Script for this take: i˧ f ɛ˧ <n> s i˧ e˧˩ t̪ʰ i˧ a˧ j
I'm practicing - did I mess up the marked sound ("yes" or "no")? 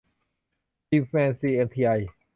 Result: no